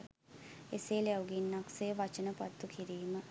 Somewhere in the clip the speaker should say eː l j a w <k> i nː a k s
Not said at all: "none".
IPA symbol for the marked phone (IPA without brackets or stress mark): ɡ